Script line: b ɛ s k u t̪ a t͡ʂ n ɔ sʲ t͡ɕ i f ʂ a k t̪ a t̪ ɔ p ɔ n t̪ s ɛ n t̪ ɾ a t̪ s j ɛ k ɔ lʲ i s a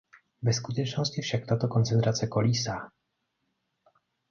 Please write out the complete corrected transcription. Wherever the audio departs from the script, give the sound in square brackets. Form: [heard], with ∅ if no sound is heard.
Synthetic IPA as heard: b ɛ s k u t̪ [ɛ] t͡ʂ n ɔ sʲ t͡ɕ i f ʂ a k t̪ a t̪ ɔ [k] ɔ n t̪ s ɛ n t̪ ɾ a t̪ s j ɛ k ɔ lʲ i s a